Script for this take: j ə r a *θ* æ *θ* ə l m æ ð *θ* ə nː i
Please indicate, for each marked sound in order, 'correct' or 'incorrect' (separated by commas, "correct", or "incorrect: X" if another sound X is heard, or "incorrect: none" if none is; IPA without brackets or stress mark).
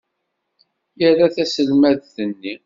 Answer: correct, incorrect: s, correct